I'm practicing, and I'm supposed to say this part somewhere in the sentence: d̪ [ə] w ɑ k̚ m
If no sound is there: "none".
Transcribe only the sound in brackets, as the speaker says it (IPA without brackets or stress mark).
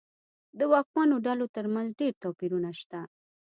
ə